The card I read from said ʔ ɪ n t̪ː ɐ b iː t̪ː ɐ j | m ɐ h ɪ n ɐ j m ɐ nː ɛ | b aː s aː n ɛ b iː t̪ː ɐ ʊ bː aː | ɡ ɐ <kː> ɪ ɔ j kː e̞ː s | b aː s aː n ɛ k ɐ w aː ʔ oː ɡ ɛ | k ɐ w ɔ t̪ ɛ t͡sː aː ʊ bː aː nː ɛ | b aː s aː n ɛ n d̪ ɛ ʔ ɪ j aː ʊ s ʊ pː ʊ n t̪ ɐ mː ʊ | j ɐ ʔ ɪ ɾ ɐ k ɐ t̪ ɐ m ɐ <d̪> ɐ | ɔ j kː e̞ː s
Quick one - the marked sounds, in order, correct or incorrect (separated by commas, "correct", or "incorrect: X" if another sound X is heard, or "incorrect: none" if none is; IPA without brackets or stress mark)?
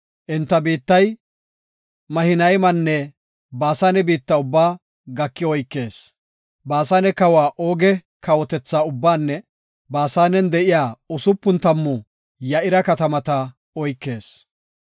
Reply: correct, incorrect: t̪